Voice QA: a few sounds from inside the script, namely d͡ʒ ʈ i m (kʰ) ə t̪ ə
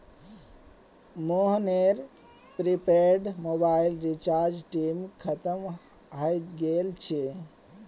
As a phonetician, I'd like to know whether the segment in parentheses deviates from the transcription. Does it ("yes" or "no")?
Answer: no